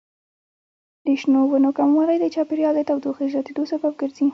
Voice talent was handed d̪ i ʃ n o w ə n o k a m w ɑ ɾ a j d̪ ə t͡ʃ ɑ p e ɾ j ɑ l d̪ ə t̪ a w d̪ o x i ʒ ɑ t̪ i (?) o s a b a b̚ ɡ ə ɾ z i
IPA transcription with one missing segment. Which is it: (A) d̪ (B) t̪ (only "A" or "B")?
A